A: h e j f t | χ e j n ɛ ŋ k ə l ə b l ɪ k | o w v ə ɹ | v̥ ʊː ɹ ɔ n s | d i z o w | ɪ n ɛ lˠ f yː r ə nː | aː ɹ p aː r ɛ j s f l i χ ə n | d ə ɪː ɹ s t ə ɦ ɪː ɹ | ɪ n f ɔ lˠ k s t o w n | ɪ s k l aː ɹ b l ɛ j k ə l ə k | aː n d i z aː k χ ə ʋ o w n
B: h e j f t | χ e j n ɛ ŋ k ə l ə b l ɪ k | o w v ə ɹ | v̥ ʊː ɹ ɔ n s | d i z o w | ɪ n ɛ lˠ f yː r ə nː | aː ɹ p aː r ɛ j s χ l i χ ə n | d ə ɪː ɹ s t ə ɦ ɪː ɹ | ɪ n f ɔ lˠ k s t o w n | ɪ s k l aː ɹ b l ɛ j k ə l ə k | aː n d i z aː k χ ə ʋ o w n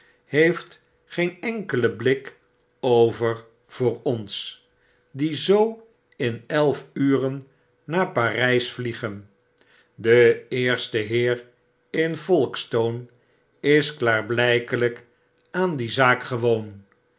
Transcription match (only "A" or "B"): A